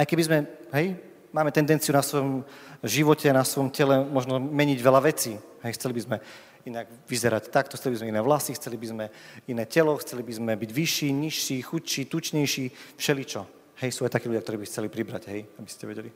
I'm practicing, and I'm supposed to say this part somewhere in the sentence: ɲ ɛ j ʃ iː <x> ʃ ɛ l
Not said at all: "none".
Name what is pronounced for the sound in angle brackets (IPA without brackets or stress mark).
f